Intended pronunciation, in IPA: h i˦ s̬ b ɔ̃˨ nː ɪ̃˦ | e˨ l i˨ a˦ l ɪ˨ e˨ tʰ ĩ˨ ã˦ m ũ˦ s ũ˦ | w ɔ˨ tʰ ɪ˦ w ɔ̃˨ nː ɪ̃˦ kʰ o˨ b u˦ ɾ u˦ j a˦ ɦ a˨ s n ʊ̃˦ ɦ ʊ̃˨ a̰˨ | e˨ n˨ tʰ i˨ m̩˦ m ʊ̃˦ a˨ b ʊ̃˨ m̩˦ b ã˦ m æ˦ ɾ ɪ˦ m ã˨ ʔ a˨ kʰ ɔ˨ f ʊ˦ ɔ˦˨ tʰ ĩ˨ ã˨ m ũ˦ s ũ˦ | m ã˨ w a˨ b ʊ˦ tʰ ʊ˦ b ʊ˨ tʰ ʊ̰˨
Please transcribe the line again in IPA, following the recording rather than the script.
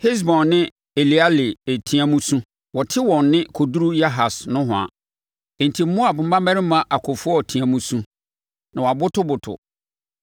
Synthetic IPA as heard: h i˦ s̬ b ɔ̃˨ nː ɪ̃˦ | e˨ l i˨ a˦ l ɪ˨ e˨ tʰ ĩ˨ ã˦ m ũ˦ s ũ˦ | w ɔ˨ tʰ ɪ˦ w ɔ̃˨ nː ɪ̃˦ kʰ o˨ d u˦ ɾ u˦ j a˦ ɦ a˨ s n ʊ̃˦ ɦ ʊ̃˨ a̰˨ | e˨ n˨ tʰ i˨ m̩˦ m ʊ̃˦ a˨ b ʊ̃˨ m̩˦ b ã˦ m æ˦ ɾ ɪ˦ m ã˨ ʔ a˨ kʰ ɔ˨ f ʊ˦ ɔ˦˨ tʰ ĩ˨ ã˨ m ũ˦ s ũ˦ | n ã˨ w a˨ b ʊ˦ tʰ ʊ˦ b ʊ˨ tʰ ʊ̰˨

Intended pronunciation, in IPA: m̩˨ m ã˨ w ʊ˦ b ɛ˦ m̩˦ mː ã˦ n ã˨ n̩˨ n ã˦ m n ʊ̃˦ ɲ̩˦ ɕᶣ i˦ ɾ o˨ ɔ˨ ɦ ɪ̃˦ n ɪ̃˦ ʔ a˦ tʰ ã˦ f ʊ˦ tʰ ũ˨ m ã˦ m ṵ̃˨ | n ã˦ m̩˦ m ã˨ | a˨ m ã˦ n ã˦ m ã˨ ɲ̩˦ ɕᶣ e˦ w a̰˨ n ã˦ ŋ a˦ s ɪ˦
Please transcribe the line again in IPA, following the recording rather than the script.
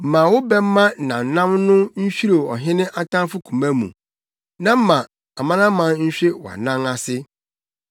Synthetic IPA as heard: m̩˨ m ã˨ w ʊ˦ b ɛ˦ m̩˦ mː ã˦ n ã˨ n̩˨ n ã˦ m n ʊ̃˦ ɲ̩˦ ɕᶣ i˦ ɾ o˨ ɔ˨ ɦ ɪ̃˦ n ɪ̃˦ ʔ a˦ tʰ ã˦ f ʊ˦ kʰ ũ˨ m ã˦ m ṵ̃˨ | n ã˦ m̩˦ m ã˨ | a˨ m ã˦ n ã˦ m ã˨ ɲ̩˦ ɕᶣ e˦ w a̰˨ n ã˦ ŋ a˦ s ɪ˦

